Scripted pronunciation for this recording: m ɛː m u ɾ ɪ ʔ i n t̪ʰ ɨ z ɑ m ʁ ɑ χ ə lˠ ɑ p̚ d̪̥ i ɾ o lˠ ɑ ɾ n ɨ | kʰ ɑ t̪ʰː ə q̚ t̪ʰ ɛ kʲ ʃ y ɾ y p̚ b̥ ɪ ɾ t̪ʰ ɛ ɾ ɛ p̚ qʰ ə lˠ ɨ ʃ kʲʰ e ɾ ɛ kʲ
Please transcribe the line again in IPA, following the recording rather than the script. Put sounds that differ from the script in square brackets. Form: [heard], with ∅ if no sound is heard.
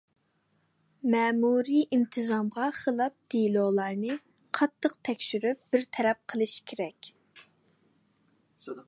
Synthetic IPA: m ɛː m u ɾ [i] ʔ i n t̪ʰ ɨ z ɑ m ʁ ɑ χ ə lˠ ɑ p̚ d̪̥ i [l] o lˠ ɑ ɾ n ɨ | [qʰ] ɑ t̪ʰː ə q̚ t̪ʰ ɛ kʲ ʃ y ɾ y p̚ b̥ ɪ ɾ t̪ʰ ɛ ɾ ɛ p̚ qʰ ə lˠ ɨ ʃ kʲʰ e ɾ ɛ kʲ